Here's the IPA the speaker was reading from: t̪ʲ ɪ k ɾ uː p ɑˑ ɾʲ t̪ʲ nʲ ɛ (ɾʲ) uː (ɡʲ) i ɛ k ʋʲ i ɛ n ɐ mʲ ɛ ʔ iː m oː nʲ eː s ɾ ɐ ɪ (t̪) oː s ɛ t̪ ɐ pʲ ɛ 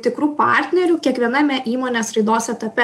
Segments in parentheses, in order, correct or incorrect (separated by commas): correct, incorrect, incorrect